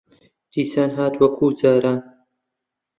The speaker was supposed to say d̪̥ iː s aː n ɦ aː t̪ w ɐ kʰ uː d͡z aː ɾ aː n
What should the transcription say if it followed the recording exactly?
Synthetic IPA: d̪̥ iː s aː n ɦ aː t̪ w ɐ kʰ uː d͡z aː ɾ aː n